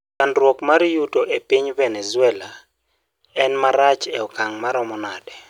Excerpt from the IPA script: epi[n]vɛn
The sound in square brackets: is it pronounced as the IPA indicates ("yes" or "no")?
no